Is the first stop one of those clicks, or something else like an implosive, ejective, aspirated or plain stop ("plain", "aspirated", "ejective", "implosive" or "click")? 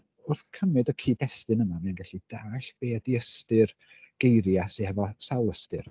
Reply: aspirated